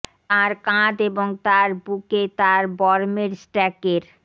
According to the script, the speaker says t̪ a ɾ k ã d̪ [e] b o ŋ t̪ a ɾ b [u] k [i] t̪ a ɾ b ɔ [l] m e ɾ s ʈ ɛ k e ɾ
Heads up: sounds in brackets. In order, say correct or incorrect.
correct, correct, incorrect: e, incorrect: ɾ

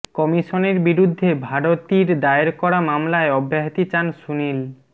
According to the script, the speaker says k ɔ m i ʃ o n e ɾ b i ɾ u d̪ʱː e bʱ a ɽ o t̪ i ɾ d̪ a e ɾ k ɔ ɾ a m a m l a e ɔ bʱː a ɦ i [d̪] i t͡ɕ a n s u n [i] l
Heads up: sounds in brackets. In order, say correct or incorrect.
incorrect: t̪, correct

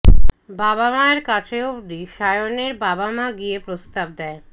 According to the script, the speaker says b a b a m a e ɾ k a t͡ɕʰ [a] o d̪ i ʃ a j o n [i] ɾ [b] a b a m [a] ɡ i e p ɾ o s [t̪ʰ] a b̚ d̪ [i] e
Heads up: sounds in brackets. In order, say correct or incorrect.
incorrect: e, incorrect: e, correct, correct, incorrect: t̪, incorrect: ɛ

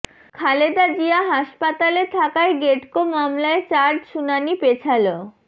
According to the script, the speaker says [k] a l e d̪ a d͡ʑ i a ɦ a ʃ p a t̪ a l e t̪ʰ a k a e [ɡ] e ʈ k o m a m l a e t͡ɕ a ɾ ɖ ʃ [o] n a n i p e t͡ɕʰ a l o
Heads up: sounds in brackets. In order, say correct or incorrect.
incorrect: kʰ, correct, incorrect: u

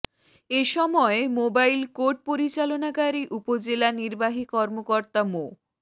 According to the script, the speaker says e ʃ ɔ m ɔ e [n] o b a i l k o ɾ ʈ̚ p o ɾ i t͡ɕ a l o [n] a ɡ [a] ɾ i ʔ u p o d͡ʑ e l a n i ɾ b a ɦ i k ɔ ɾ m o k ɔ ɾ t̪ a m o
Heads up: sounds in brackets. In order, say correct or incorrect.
incorrect: m, correct, correct

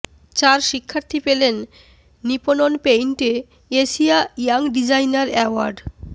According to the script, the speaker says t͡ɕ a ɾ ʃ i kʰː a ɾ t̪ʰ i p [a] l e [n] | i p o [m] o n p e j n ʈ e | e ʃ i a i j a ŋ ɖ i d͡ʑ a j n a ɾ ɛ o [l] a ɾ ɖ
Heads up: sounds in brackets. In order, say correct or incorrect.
incorrect: e, incorrect: nː, incorrect: n, incorrect: none

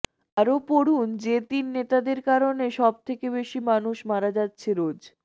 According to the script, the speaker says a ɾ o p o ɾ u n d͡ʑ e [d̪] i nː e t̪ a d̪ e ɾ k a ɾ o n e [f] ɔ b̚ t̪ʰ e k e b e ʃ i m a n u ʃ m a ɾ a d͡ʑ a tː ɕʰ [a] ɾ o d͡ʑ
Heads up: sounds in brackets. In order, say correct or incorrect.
incorrect: t̪, incorrect: ʃ, incorrect: e

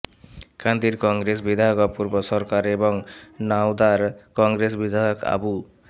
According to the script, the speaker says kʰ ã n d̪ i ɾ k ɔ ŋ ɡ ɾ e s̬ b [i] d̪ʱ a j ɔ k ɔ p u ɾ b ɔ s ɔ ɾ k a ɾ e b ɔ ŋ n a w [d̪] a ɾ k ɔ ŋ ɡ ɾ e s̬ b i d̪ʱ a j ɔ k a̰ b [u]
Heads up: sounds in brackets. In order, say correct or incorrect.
correct, correct, correct

